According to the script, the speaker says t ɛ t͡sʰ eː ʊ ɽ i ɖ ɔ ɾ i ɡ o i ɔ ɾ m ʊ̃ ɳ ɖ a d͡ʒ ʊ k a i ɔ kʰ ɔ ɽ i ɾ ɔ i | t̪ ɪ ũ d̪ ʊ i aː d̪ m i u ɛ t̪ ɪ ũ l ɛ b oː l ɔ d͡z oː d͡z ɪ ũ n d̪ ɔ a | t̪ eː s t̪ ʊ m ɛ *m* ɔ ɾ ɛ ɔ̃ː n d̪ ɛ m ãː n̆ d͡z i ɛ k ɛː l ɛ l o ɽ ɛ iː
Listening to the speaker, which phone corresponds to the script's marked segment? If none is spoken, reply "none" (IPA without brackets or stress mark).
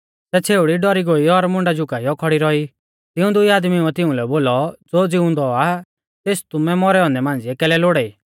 m